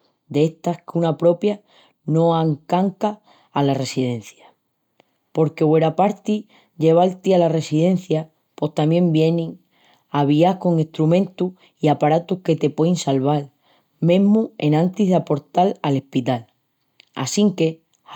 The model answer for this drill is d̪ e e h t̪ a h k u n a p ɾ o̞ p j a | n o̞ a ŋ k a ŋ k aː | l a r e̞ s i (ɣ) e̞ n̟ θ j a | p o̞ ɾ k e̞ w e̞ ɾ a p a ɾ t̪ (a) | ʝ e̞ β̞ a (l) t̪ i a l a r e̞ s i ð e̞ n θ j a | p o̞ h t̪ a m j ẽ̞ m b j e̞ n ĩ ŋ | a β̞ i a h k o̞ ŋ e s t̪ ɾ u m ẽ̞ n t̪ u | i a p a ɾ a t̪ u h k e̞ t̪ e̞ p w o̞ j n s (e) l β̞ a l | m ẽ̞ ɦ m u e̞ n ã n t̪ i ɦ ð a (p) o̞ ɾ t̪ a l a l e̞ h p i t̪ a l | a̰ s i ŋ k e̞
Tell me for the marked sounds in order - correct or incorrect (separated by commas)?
incorrect, incorrect, correct, incorrect, correct